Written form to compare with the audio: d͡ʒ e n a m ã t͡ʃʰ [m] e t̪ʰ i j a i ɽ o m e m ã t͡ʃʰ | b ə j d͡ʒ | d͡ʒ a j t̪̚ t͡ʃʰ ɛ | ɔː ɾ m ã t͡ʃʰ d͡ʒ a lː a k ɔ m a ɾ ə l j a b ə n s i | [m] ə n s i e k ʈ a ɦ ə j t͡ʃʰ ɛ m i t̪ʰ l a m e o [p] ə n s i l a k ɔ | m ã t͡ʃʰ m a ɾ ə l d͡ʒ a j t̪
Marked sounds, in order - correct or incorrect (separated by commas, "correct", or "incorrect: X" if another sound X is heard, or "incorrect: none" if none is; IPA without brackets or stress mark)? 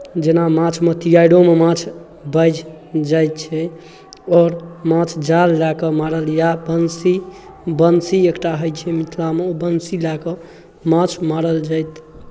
correct, incorrect: b, incorrect: b